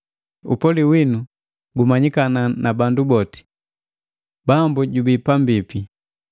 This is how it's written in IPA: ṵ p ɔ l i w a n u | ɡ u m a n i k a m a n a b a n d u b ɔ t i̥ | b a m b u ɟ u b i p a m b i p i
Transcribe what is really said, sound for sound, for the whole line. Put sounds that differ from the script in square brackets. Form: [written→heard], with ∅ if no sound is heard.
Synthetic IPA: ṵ p ɔ l i w [a→i] n u | ɡ u m a [n→ɲ] i k a [m→n] a n a b a n d u b ɔ t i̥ | b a m b u ɟ u b i p a m b i p i